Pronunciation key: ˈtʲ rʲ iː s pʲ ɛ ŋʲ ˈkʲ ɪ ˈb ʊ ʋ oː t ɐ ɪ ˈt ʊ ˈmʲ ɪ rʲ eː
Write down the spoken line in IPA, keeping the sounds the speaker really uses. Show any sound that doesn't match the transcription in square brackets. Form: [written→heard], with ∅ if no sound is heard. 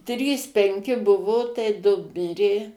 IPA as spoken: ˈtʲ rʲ iː s pʲ ɛ ŋʲ ˈkʲ ɪ ˈb ʊ ʋ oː t ɐ ɪ [ˈt→ˈd] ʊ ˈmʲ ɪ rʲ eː